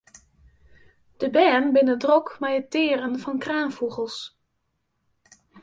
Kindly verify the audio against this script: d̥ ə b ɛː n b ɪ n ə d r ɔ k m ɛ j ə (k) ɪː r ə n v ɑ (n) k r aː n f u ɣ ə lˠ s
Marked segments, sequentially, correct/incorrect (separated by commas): incorrect, correct